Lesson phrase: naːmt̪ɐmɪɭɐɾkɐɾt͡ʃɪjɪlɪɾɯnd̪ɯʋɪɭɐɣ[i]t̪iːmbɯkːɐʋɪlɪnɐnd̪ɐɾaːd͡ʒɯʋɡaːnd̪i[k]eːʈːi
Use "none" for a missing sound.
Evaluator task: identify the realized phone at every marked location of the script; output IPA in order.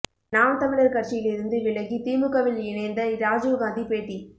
i, p

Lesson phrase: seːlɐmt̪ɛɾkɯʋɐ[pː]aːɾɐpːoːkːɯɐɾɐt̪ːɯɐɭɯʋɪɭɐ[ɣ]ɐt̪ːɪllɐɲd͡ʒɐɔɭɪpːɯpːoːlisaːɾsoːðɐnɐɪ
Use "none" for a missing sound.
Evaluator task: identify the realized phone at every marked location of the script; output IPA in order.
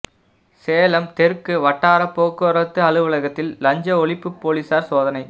ʈː, ɣ

